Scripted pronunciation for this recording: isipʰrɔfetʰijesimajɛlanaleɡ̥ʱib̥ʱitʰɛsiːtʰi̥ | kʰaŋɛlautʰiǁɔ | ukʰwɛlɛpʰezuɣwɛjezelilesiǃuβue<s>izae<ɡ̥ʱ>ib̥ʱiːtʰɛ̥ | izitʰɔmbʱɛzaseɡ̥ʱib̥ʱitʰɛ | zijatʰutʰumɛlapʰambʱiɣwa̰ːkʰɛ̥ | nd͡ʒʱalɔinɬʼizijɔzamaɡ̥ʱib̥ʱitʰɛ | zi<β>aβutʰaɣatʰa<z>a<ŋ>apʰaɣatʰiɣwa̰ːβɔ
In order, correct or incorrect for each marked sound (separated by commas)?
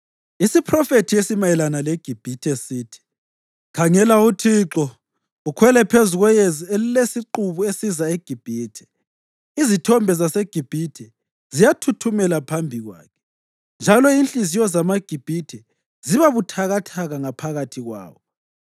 correct, correct, correct, incorrect, correct